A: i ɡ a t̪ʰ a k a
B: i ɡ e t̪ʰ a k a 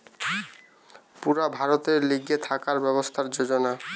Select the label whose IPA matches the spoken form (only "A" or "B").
B